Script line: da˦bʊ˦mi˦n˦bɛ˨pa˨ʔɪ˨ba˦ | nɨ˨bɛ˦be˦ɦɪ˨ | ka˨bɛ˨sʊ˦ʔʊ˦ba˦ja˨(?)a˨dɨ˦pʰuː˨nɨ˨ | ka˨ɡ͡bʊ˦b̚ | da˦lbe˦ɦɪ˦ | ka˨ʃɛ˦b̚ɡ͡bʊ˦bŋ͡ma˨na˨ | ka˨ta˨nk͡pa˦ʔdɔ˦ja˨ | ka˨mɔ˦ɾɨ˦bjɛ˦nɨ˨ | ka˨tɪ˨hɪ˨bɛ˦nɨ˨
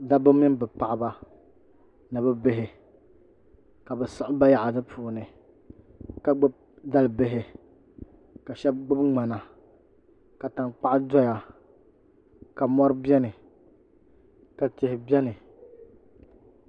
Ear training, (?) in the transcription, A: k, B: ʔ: B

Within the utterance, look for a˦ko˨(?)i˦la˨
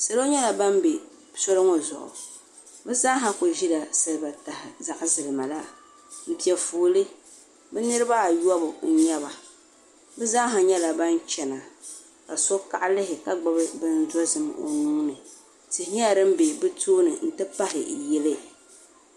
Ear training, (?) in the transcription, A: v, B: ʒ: B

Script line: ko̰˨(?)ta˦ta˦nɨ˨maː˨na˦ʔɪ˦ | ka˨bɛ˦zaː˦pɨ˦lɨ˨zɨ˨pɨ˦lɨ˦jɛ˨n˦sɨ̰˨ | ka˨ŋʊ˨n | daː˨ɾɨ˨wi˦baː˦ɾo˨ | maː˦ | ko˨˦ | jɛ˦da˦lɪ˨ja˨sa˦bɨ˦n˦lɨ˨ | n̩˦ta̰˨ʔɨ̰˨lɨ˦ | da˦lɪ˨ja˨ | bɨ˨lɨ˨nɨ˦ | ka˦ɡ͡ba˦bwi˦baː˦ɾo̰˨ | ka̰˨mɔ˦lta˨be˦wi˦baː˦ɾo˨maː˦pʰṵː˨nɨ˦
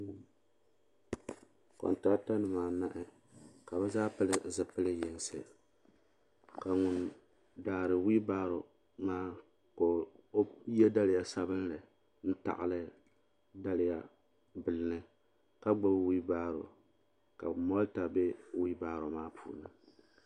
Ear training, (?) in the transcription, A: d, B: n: B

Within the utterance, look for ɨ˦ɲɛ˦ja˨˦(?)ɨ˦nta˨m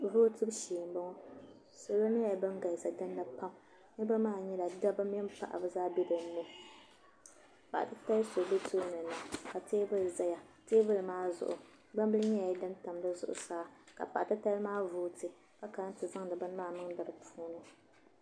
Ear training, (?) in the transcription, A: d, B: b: A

